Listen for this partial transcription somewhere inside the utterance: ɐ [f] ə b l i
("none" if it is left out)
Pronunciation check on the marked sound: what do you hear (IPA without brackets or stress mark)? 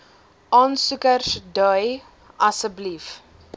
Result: s